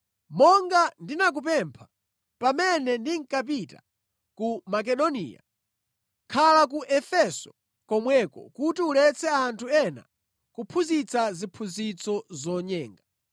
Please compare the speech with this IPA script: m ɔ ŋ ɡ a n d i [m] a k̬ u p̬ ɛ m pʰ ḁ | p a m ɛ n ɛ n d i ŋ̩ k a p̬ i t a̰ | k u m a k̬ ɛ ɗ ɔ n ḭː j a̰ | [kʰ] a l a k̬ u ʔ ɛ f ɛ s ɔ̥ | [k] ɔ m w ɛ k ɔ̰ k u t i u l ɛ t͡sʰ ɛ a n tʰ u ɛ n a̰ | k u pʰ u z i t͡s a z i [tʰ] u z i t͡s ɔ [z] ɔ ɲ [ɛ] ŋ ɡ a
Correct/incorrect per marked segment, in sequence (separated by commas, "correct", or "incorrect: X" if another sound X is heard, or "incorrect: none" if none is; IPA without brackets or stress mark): incorrect: n, correct, correct, incorrect: pʰ, correct, incorrect: ɛː